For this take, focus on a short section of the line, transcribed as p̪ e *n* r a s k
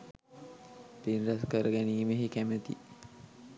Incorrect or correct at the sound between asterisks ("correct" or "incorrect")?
correct